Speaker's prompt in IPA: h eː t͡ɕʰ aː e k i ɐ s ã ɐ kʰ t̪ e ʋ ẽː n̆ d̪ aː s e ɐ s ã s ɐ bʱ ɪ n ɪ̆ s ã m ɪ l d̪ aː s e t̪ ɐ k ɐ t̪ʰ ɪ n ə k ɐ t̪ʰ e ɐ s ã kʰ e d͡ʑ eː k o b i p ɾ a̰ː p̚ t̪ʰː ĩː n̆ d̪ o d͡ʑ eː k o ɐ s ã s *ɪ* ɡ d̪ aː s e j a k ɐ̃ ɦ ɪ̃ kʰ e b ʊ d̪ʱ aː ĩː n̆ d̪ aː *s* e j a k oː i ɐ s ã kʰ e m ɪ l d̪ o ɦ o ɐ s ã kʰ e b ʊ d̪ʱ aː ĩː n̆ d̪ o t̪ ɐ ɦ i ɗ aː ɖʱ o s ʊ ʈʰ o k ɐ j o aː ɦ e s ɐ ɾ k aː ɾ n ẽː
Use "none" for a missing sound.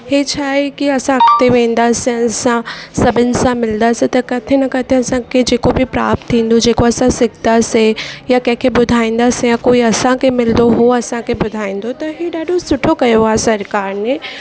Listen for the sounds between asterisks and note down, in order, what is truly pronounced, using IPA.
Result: ɪ, s

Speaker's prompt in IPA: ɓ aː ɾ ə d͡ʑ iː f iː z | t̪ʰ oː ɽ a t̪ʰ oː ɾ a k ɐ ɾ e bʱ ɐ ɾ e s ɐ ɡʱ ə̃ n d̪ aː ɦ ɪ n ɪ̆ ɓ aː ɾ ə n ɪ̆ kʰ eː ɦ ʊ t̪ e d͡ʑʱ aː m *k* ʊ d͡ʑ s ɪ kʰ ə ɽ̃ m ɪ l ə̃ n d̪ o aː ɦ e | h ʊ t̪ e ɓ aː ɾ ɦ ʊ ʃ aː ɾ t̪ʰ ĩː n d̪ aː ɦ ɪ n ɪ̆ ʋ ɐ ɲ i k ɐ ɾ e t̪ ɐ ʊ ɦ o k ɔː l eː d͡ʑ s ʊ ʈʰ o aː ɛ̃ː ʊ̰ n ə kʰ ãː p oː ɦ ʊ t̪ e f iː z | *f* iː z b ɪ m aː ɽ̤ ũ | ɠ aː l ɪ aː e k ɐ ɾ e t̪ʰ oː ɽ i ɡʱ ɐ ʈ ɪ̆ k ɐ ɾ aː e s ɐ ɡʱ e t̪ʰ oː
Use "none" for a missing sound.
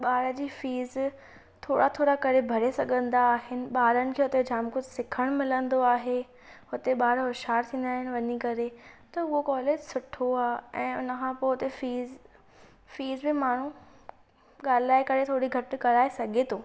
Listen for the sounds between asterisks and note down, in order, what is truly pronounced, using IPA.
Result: k, f

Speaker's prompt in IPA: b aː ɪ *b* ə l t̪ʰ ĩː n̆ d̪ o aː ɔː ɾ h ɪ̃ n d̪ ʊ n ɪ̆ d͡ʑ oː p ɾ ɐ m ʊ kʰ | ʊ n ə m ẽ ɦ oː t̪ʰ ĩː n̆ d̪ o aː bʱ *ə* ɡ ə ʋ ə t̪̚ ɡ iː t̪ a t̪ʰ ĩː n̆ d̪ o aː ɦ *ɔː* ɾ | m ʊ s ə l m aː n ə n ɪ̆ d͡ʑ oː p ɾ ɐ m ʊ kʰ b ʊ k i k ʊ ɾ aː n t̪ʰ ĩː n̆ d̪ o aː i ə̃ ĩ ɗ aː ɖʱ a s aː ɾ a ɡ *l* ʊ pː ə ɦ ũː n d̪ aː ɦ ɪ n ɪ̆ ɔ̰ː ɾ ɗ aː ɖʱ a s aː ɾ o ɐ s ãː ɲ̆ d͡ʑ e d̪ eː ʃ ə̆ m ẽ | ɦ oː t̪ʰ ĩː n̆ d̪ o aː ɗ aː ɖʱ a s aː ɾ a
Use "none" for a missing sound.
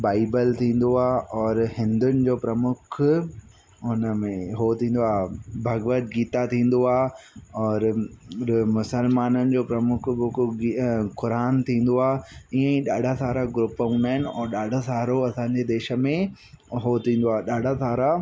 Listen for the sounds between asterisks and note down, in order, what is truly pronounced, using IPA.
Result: b, ɐ, ɔː, ɾ

